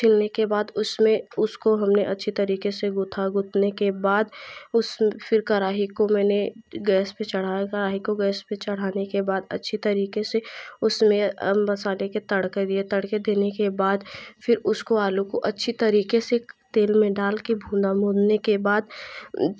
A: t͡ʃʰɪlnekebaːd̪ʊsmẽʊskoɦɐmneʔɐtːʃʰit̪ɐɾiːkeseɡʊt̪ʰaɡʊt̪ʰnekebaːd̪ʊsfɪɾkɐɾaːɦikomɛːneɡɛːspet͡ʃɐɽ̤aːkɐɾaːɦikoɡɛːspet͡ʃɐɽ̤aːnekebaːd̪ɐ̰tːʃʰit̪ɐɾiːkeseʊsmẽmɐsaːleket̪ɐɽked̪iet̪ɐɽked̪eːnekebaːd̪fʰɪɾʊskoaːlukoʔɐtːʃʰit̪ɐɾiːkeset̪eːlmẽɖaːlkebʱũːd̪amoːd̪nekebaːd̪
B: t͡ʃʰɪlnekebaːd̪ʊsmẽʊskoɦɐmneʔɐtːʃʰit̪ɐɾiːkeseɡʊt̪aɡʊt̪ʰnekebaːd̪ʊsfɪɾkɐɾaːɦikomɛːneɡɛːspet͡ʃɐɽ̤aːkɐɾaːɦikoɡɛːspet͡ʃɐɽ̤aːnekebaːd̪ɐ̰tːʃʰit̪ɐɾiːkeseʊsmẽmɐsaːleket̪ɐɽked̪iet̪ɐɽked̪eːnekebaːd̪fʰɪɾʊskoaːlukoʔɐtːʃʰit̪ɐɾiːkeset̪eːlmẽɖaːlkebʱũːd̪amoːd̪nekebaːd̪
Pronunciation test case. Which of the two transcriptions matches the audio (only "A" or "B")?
A